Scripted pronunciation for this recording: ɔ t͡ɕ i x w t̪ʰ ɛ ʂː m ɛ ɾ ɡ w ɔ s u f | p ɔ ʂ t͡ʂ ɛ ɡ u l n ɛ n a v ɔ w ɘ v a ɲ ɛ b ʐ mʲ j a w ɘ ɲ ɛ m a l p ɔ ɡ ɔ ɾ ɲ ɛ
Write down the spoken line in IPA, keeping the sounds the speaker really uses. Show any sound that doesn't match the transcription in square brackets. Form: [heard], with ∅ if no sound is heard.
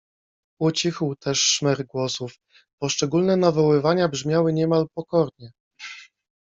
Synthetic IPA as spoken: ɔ t͡ɕ i x w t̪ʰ ɛ ʂː m ɛ ɾ ɡ w ɔ s u f | p ɔ ʂ t͡ʂ ɛ ɡ u l n ɛ n a v ɔ w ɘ v a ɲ [a] b ʐ mʲ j a w ɘ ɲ ɛ m a l p ɔ [k] ɔ ɾ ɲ ɛ